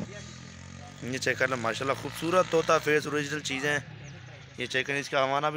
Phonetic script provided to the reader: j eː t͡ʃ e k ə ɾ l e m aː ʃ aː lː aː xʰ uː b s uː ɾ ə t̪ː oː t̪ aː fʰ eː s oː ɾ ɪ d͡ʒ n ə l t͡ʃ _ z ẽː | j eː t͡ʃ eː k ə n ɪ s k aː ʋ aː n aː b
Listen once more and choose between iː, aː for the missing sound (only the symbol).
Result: iː